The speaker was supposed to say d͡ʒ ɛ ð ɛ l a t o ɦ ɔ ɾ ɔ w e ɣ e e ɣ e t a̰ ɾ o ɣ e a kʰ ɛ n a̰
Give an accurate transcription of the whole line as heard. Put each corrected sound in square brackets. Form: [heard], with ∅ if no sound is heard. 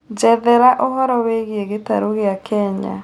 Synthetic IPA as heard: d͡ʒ ɛ ð ɛ [ɾ] a [ʔ] o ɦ ɔ ɾ ɔ w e ɣ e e ɣ e t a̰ ɾ o ɣ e a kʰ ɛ [ɲ] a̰

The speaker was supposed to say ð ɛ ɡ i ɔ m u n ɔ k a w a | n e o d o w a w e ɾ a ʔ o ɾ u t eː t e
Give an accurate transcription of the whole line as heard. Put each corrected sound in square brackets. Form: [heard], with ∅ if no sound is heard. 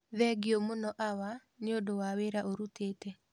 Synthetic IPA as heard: ð ɛ ɡ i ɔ m [o] n ɔ [ʔ] a w a | n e o d o w a w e ɾ a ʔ o ɾ u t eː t [ɛ]

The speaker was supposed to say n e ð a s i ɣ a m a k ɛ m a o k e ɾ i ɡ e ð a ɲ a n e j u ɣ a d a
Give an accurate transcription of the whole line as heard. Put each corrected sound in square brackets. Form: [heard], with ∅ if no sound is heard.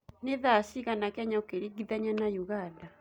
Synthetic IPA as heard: n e ð a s i ɣ a [n] a k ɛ [ɲ] a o k e ɾ i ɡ [i] ð a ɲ a n [a] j u ɣ a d a

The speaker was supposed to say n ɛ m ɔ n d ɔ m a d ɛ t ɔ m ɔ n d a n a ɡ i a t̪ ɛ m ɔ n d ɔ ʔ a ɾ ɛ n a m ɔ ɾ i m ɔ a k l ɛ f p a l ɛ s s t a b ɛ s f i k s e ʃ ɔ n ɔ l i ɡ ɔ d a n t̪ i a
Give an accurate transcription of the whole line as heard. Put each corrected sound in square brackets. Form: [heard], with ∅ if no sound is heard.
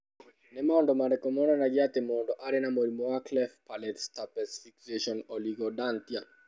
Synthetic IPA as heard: n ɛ m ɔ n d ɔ m a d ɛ [k] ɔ m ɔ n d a n a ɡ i a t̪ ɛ m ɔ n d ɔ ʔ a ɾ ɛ n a m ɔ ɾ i m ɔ a k l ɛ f p a l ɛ [t] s t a [p] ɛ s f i k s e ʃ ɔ n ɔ l i ɡ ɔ d a n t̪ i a

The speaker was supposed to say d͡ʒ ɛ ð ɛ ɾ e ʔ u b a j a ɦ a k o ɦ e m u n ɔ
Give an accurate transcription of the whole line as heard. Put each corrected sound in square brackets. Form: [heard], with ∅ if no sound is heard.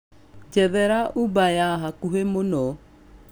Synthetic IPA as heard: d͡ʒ ɛ ð ɛ ɾ [a] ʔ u b a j a ɦ a k [u] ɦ e m [o] n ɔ

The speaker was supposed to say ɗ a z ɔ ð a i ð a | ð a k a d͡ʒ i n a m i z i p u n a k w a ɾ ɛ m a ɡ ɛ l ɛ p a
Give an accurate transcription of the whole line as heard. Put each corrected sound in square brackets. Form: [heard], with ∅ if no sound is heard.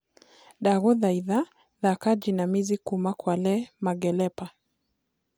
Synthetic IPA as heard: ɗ a [ɣ] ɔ ð a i ð a | ð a k a d͡ʒ i n a m i z i [k] u [m] a k w a [l] ɛ m a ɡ ɛ l ɛ p a

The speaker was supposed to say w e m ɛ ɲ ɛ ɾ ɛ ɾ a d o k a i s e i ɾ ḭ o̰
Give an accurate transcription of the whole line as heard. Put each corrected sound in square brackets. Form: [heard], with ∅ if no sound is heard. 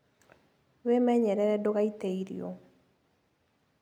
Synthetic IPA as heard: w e m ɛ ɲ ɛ ɾ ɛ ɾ [ɛ] d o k a i [t] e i ɾ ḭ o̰

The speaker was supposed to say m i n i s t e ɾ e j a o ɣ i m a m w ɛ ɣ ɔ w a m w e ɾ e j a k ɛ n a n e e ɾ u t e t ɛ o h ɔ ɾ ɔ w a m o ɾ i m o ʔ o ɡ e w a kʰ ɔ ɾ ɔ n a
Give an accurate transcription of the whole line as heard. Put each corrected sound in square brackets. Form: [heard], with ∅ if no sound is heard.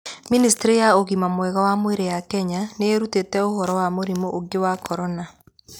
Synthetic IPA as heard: m i n i s t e ɾ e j a o ɣ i m a m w ɛ ɣ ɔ w a m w e ɾ e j a k ɛ [ɲ] a n e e ɾ u t e t ɛ o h ɔ ɾ ɔ w a m o ɾ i m o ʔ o ɡ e w a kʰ ɔ ɾ ɔ n a

